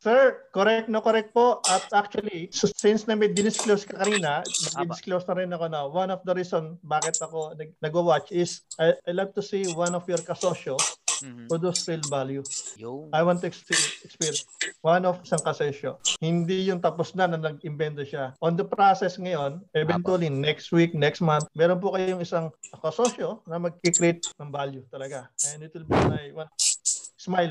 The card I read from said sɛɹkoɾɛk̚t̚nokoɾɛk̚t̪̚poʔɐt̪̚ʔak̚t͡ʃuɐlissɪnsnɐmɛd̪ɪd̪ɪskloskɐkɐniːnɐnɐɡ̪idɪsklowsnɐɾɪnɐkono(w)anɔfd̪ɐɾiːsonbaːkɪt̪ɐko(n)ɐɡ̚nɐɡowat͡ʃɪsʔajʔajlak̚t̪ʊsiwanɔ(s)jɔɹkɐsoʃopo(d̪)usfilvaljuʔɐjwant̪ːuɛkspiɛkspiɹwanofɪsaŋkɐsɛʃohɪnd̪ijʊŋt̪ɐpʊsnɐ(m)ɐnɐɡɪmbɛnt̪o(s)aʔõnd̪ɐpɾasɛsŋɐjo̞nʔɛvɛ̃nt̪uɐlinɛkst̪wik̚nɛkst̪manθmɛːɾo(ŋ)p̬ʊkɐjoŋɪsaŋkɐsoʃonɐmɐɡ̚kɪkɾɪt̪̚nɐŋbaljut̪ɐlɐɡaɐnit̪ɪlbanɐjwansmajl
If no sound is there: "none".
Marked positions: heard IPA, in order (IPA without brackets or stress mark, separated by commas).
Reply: w, n, f, d̪, n, ʃ, n